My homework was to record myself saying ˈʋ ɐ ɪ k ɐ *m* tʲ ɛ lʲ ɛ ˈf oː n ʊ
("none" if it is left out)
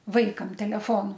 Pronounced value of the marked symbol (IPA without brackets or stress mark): m